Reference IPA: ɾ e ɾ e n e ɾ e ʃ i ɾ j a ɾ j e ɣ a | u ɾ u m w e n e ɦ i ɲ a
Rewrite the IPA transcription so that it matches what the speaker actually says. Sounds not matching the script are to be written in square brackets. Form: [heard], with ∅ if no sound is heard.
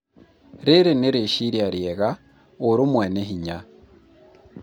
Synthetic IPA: ɾ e ɾ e n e ɾ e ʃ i ɾ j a ɾ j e ɣ a | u ɾ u m w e n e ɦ i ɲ a